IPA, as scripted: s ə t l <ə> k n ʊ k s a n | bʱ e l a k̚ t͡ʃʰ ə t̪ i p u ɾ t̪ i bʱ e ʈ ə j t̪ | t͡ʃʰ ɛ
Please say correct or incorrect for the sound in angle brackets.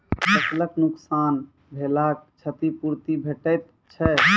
correct